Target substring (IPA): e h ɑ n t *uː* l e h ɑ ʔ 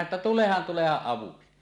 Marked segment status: incorrect: u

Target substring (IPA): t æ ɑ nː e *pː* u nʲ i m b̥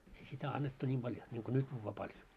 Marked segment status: incorrect: tː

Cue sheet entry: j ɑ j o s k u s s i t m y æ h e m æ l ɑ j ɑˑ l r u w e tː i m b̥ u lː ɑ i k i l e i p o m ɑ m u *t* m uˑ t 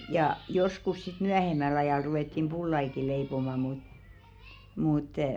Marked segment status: correct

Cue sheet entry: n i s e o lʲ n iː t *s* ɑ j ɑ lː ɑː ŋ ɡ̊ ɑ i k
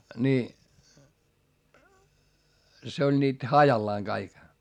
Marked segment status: incorrect: h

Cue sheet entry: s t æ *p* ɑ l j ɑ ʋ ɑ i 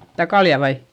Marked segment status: incorrect: k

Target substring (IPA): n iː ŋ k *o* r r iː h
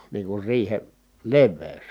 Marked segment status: incorrect: u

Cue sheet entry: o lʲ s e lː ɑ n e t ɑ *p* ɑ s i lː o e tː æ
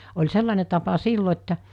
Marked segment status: correct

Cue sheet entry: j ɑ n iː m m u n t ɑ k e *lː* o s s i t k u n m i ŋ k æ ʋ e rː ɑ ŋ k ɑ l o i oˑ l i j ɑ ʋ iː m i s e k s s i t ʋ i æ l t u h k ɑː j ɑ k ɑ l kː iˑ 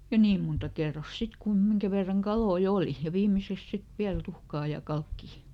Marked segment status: incorrect: rː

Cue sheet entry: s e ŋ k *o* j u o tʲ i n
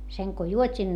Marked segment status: correct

